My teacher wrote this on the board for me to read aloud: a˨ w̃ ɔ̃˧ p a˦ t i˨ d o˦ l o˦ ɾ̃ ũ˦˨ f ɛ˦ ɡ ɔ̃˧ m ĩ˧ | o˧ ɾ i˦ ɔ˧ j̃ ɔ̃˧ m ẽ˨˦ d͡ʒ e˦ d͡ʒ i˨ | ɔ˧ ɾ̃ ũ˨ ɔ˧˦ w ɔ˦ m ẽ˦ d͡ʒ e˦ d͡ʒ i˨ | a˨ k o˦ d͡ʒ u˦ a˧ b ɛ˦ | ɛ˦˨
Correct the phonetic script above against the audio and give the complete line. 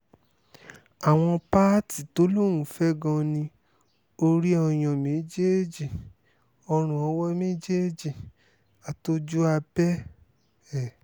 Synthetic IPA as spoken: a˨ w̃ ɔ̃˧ p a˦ t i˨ t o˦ l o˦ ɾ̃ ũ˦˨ f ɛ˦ ɡ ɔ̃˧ n ĩ˧ | o˧ ɾ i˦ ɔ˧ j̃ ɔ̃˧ m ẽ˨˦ d͡ʒ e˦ d͡ʒ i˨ | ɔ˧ ɾ̃ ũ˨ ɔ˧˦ w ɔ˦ m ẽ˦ d͡ʒ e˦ d͡ʒ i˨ | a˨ t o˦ d͡ʒ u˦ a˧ b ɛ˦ | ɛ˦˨